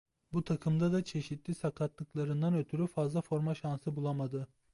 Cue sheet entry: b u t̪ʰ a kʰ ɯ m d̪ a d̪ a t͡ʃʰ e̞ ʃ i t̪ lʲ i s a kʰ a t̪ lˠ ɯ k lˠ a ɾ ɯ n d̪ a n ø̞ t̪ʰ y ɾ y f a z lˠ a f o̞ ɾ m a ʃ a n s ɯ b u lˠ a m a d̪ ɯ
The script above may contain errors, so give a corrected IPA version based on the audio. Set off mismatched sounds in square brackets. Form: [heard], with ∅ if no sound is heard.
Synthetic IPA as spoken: b u t̪ʰ a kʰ ɯ m d̪ a d̪ a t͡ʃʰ e̞ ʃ i t̪ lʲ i s a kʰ a t̪ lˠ ɯ k lˠ a ɾ ɯ n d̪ a n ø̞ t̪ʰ y ɾ y f a z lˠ a f o̞ ɾ m a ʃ a n s ɯ b u lˠ a m a d̪ ɯ